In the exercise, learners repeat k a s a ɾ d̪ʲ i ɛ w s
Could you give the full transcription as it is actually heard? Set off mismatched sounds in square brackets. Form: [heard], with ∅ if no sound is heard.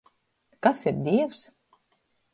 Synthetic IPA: k a s [i] ɾ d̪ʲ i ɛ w s